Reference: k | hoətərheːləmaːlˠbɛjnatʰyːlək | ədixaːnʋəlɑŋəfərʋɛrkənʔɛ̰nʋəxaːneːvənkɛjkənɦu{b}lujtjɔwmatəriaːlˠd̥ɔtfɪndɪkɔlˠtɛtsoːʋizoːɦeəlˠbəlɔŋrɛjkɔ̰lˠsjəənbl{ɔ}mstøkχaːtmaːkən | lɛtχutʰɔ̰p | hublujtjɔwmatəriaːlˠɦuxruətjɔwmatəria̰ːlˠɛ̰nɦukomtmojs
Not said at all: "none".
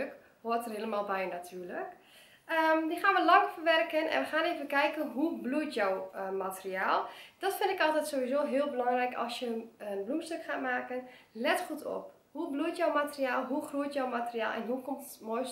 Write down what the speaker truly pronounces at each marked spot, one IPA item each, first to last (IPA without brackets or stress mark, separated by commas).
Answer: b, u